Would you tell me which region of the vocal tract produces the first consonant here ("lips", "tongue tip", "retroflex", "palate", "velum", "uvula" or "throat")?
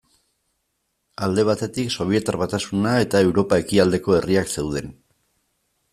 tongue tip